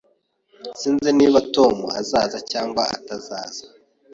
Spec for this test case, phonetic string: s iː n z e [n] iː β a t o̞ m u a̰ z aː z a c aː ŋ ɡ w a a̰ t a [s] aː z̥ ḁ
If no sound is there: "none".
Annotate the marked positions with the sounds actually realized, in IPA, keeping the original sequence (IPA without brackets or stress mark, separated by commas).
n, z